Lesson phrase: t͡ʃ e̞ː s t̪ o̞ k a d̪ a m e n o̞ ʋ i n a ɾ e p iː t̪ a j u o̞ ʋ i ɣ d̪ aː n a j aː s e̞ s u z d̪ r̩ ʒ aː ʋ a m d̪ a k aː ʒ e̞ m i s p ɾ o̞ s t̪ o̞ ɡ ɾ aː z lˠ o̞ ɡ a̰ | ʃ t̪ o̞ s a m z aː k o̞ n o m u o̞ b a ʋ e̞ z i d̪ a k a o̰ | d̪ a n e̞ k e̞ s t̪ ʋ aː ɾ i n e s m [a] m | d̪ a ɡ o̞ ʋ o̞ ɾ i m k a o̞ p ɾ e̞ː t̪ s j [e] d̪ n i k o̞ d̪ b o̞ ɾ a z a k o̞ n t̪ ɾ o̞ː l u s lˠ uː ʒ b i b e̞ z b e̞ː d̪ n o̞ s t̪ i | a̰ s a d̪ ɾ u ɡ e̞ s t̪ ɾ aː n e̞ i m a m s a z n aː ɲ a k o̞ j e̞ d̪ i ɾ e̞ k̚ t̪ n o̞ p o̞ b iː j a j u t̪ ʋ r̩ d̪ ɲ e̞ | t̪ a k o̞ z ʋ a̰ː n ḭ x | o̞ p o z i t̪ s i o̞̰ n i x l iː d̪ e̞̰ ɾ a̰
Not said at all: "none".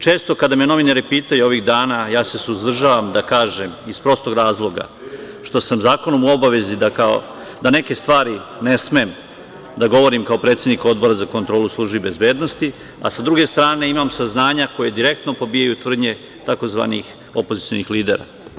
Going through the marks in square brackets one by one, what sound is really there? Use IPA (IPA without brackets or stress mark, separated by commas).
e, e